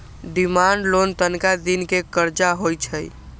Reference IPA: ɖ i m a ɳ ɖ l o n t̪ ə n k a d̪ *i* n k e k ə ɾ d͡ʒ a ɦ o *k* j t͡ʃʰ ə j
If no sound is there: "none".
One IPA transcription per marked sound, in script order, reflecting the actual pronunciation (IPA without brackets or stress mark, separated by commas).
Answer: i, none